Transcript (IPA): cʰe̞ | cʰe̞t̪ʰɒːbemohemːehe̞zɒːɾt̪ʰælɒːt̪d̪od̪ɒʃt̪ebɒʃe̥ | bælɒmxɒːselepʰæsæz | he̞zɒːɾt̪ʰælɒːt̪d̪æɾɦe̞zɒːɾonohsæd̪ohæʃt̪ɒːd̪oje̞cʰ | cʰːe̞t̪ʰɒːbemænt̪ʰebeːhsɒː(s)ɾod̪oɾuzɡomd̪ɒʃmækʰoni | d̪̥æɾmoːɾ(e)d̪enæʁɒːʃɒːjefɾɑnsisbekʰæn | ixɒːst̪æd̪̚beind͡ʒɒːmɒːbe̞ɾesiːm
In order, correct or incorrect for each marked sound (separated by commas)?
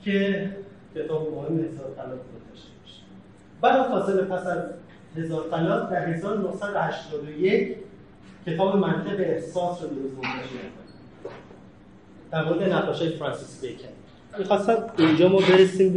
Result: correct, correct